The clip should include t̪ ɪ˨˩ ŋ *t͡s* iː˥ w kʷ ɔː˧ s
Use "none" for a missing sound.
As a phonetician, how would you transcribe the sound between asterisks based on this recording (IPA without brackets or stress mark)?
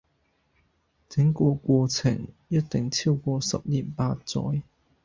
t͡sʰ